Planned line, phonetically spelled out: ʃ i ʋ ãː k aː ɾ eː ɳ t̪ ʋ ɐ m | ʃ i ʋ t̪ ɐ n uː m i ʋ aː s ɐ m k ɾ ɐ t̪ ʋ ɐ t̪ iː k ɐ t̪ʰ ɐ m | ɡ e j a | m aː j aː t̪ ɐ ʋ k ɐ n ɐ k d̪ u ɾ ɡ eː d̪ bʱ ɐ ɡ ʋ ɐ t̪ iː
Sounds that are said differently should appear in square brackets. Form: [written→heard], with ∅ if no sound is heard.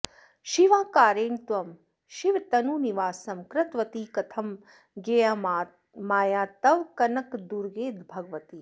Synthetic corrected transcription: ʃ i ʋ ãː k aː ɾ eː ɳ t̪ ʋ ɐ m | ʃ i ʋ t̪ ɐ n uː [m→n] i ʋ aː s ɐ m k ɾ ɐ t̪ ʋ ɐ t̪ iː k ɐ t̪ʰ ɐ m | ɡ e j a | m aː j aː t̪ ɐ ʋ k ɐ n ɐ k d̪ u ɾ ɡ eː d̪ bʱ ɐ ɡ ʋ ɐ t̪ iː